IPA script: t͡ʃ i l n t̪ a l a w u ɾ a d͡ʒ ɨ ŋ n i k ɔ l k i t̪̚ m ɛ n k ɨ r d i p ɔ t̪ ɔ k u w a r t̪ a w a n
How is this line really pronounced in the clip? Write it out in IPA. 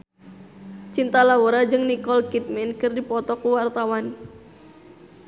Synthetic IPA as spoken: t͡ʃ i n t̪ a l a w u ɾ a d͡ʒ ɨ ŋ n i k ɔ l k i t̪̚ m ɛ n k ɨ r d i p ɔ t̪ ɔ k u w a r t̪ a w a n